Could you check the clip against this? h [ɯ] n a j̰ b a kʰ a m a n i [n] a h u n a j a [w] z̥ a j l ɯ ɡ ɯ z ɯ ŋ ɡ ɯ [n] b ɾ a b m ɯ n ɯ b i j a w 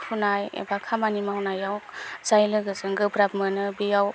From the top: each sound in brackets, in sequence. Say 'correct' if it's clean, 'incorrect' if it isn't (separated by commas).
incorrect, incorrect, correct, incorrect